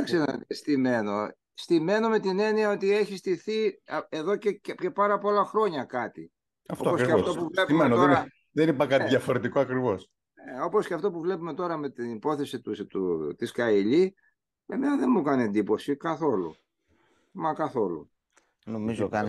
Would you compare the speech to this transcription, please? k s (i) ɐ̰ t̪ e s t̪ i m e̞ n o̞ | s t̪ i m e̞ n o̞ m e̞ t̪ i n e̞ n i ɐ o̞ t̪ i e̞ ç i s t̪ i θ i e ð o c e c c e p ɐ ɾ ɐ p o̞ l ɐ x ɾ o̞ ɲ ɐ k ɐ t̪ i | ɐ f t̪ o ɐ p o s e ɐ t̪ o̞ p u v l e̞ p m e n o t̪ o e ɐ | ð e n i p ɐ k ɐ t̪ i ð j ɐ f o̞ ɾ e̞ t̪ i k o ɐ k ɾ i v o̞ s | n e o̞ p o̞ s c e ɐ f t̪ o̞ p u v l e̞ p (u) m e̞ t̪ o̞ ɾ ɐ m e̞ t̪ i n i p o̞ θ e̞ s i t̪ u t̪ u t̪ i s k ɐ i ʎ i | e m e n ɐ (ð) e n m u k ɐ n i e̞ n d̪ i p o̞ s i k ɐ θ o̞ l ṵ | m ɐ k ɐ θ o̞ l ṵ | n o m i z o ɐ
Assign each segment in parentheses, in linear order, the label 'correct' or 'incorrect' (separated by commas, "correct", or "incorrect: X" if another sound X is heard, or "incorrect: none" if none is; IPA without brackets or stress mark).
incorrect: e, correct, correct